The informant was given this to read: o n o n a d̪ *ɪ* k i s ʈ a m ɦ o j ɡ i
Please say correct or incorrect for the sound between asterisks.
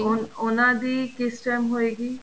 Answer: incorrect